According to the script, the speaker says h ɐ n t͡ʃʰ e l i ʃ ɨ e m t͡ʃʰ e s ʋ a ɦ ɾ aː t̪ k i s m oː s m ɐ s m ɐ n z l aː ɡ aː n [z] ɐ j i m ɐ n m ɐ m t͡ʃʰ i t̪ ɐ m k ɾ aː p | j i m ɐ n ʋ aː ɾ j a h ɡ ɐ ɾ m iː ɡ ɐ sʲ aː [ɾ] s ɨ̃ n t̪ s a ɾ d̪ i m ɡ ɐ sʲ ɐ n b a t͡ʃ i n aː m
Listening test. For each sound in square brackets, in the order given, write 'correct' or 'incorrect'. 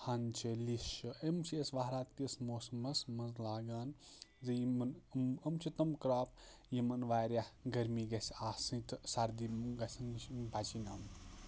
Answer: correct, incorrect

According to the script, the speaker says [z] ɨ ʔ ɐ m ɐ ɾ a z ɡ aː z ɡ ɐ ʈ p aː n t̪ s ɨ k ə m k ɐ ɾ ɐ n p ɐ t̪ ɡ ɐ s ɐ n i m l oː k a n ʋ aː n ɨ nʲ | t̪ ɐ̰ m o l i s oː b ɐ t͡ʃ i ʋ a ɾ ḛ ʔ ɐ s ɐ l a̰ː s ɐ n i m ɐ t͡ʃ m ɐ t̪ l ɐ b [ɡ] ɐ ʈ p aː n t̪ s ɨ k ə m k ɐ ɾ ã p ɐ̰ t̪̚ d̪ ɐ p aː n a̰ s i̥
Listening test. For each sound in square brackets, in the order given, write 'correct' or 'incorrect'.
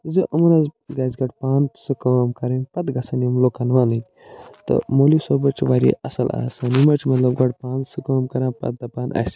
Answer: correct, correct

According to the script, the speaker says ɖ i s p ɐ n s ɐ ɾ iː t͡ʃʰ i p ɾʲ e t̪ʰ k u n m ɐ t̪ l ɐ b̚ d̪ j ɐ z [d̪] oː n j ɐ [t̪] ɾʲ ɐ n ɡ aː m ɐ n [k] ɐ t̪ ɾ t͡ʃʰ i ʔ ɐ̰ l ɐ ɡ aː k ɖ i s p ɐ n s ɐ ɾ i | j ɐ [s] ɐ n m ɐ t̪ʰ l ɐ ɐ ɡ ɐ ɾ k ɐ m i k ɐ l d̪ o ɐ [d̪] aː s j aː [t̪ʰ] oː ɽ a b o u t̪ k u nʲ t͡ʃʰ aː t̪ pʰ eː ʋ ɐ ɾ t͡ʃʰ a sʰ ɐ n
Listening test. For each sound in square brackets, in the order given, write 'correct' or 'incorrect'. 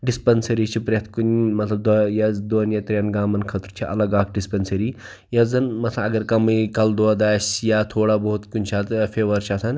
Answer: correct, correct, incorrect, incorrect, correct, correct

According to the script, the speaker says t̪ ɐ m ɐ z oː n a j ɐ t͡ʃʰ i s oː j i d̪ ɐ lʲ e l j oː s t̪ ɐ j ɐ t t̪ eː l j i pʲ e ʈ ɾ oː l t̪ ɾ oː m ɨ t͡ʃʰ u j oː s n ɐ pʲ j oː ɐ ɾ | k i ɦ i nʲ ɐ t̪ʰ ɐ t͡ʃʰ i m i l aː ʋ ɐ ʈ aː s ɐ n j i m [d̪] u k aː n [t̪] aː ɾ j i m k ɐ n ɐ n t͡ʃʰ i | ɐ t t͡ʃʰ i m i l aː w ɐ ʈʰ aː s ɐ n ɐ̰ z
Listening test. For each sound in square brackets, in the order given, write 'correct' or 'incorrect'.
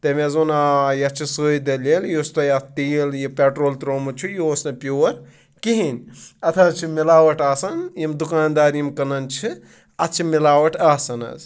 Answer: correct, incorrect

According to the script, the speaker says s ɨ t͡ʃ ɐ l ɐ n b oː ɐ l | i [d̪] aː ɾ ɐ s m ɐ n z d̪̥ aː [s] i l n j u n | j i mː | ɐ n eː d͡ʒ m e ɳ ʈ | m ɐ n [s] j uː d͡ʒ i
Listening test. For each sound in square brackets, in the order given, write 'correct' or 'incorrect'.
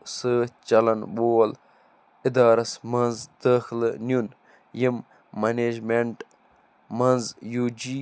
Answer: correct, incorrect, incorrect

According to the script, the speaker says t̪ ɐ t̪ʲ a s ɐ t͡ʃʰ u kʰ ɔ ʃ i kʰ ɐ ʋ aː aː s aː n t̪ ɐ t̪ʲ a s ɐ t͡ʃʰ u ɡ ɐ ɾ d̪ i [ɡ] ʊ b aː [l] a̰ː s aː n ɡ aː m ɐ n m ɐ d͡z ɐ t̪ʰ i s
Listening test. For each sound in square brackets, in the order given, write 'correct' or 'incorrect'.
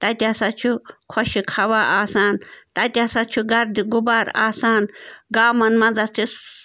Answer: correct, incorrect

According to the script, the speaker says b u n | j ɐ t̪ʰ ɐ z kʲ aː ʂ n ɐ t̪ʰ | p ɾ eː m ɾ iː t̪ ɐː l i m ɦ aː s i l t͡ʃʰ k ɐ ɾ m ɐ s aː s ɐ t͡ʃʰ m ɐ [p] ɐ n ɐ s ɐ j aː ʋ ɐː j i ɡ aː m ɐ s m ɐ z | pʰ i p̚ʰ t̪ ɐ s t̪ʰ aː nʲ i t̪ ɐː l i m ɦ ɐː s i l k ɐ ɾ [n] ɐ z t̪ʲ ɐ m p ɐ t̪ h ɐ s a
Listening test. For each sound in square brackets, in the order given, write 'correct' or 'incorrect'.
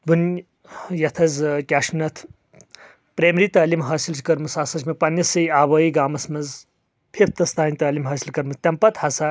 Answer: correct, incorrect

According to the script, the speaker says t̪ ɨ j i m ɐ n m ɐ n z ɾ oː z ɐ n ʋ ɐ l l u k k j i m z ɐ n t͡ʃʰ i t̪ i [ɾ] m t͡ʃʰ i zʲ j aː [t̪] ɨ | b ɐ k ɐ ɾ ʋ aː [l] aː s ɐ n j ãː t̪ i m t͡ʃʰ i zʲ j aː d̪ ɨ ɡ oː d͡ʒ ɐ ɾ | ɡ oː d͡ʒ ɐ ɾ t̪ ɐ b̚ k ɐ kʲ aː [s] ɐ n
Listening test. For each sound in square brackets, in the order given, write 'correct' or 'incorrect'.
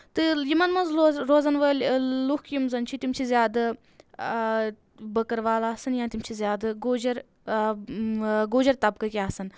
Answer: incorrect, incorrect, correct, correct

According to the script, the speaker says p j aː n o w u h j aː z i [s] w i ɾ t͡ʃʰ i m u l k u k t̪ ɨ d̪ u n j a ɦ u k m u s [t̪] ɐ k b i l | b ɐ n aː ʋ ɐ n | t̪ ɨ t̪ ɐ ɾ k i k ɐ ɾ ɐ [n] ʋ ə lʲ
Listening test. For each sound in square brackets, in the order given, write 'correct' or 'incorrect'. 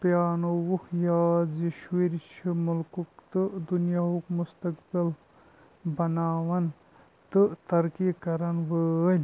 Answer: incorrect, correct, correct

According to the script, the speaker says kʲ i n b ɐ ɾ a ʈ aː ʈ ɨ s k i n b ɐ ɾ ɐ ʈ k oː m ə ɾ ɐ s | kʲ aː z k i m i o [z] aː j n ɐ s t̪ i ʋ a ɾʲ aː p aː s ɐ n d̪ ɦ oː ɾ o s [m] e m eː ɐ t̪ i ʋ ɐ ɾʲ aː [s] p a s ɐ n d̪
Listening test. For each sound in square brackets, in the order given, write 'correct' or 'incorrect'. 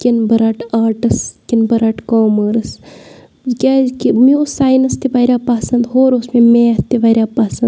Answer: incorrect, correct, incorrect

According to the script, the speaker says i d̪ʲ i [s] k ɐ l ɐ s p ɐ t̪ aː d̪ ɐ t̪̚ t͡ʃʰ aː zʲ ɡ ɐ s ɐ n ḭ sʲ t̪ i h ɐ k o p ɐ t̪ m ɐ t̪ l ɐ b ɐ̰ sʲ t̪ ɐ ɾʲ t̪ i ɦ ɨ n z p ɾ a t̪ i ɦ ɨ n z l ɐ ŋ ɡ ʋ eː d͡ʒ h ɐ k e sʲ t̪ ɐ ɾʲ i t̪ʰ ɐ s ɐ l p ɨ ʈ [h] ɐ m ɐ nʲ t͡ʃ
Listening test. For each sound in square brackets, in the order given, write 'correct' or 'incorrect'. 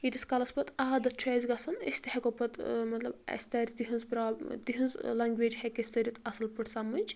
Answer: correct, incorrect

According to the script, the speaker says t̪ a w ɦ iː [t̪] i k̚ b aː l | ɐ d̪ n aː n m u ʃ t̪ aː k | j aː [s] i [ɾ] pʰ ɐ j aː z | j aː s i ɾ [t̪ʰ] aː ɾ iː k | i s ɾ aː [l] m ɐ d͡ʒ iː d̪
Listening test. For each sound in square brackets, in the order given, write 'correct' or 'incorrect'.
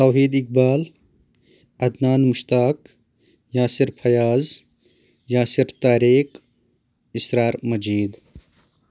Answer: incorrect, correct, correct, incorrect, incorrect

